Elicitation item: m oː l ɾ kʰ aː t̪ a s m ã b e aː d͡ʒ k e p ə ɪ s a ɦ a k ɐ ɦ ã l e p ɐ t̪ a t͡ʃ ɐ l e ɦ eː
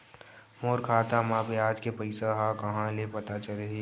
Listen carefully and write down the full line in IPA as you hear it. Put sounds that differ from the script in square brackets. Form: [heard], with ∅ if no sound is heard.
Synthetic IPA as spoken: m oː [∅] ɾ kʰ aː t̪ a [∅] m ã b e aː d͡ʒ k e p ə ɪ s a ɦ a k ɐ ɦ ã l e p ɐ t̪ a t͡ʃ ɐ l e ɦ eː